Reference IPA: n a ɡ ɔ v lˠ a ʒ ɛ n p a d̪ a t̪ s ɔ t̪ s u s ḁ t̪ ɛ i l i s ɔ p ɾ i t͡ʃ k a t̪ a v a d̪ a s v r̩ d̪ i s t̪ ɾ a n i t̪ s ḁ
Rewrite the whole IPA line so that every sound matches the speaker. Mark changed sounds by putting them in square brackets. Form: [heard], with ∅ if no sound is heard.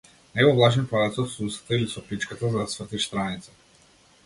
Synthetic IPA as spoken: n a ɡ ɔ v lˠ a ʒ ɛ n p a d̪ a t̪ s ɔ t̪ s u s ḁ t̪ [a] i l i s ɔ p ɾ i t͡ʃ k a t̪ a [z] a d̪ a s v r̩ [t̪] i s t̪ ɾ a n i t̪ s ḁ